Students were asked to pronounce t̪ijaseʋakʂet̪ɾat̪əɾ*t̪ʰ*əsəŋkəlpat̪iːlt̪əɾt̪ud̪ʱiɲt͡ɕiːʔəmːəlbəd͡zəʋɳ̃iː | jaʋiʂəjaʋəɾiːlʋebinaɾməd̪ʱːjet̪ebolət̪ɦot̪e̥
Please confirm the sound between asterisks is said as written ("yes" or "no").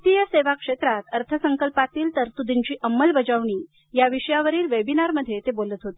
yes